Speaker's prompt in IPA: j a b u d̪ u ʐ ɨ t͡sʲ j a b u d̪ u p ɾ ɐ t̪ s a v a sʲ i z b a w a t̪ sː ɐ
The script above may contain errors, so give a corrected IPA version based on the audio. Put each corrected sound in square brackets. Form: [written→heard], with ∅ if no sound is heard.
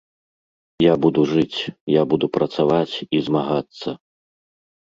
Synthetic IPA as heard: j a b u d̪ u ʐ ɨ t͡sʲ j a b u d̪ u p ɾ ɐ t̪ s a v a [sʲ→t͡sʲ] i z [b→m] a [w→ɣ] a t̪ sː ɐ